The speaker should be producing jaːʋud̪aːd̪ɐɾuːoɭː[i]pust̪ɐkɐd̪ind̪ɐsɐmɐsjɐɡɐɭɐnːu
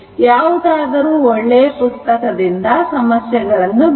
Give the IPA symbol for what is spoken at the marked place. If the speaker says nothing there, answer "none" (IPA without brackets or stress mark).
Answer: e